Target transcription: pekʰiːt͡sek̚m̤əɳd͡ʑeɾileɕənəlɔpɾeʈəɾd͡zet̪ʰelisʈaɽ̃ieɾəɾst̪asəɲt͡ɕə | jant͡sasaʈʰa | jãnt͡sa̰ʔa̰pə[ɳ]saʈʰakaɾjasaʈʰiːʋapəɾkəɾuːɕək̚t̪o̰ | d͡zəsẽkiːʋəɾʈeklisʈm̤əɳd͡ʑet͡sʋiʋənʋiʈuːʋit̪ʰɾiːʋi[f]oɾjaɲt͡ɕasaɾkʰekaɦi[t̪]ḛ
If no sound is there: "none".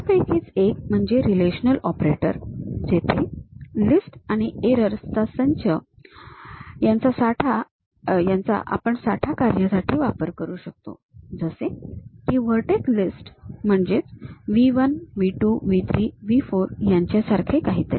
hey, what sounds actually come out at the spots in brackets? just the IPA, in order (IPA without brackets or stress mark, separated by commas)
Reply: ɳ, f, t̪